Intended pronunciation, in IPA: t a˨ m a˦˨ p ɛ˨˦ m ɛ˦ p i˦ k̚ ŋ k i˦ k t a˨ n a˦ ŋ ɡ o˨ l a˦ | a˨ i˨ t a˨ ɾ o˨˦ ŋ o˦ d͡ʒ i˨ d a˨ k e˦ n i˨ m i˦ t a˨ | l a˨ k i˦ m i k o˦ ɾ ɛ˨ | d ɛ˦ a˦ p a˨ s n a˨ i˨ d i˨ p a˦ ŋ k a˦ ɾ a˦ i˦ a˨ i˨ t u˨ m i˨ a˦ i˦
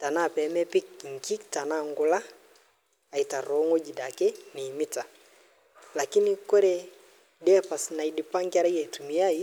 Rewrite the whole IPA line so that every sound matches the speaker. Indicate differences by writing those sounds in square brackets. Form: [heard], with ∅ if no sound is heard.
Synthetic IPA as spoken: t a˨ [n] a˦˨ p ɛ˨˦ m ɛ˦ p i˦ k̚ ŋ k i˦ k t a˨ n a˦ ŋ ɡ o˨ l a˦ | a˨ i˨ t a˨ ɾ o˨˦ ŋ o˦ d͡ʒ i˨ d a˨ k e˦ n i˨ m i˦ t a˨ | l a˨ k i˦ [n] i k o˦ ɾ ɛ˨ | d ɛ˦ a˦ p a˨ s n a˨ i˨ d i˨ p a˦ ŋ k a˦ ɾ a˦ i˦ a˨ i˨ t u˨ m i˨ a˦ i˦